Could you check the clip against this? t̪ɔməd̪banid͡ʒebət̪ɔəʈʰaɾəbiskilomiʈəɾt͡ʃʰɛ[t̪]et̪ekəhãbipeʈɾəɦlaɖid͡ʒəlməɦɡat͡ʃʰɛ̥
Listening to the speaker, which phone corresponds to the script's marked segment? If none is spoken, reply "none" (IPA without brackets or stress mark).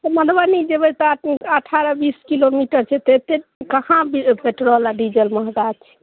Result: t̪